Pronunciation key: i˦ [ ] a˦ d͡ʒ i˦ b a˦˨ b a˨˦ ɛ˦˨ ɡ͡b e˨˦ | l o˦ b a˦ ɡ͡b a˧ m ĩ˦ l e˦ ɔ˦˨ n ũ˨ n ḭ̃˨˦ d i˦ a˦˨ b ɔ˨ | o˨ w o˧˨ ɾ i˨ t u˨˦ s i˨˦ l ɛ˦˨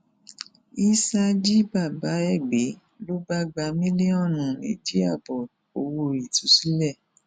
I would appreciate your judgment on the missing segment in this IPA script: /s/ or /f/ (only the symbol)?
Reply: s